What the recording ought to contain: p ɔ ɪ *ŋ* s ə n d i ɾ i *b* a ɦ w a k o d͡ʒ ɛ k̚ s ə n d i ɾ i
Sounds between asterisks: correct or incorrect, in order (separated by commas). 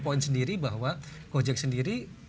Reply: incorrect, correct